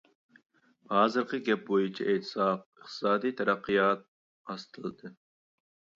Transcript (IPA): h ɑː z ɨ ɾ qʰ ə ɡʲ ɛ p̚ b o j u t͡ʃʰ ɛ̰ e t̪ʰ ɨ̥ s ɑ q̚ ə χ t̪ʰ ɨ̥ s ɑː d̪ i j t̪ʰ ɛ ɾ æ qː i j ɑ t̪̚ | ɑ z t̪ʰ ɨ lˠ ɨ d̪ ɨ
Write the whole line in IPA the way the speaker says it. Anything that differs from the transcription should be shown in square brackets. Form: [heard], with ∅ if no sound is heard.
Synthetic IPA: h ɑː z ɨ ɾ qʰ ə ɡʲ ɛ p̚ b o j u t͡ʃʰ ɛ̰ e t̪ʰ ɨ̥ s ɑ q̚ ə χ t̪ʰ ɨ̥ s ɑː d̪ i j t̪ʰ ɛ ɾ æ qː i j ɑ t̪̚ | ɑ [s] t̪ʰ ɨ lˠ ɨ d̪ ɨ